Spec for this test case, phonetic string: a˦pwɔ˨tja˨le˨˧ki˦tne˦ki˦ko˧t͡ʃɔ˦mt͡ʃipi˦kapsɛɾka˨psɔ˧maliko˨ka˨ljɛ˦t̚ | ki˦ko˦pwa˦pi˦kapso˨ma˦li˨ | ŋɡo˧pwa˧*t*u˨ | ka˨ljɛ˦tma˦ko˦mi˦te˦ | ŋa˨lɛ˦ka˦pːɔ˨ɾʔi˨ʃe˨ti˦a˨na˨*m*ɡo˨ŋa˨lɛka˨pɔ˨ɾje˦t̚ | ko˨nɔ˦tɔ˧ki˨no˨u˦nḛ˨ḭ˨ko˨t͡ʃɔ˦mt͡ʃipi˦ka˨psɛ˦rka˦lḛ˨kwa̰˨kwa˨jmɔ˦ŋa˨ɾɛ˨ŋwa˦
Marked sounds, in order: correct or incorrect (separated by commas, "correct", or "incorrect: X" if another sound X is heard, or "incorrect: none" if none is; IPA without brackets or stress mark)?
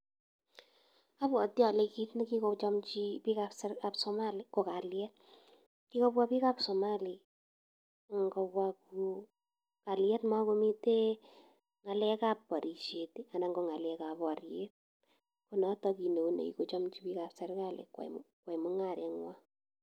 incorrect: k, incorrect: ŋ